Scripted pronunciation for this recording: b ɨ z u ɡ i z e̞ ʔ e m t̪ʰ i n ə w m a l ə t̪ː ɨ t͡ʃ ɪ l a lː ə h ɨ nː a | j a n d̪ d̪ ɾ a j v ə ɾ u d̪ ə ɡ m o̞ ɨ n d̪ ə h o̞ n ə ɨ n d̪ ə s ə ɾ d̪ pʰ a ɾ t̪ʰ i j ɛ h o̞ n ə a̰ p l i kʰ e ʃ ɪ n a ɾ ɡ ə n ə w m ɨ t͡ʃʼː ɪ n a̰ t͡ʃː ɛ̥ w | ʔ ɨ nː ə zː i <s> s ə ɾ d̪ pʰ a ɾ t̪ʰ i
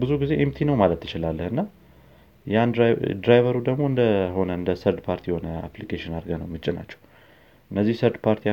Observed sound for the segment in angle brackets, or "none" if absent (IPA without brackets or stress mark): h